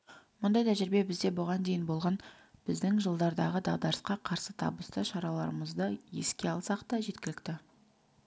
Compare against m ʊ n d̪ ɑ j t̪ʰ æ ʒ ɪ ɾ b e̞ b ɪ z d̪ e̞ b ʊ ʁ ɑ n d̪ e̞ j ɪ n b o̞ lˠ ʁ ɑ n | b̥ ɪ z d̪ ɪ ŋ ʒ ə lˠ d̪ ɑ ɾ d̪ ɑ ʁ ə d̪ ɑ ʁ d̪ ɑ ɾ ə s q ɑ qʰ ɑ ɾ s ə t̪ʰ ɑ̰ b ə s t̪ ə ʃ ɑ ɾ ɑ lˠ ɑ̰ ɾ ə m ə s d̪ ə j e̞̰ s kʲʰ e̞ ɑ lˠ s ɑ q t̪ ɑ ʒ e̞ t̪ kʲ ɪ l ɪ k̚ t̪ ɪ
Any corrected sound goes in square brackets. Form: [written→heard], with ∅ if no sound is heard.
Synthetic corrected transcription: m ʊ n d̪ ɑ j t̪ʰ æ ʒ ɪ ɾ b e̞ b ɪ z d̪ e̞ b ʊ ʁ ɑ n d̪ e̞ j ɪ n b o̞ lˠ ʁ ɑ n | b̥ ɪ z d̪ ɪ ŋ ʒ ə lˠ d̪ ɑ ɾ d̪ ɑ ʁ ə d̪ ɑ ʁ d̪ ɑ ɾ ə s q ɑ qʰ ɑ ɾ s ə t̪ʰ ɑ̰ b ə s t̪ ə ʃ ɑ ɾ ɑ lˠ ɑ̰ ɾ ə m ə [s→z] d̪ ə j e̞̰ s [kʲʰ→kʲ] e̞ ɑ lˠ s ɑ q t̪ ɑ ʒ e̞ t̪ kʲ ɪ l ɪ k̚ t̪ ɪ